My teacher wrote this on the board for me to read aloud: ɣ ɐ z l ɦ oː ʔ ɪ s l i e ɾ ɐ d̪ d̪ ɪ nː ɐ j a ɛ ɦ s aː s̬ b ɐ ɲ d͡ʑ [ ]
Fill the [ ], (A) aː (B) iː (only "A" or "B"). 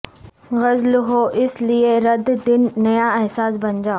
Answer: A